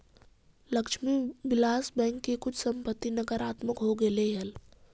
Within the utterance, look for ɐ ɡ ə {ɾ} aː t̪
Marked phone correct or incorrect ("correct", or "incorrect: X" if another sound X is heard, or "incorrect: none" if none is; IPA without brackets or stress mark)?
correct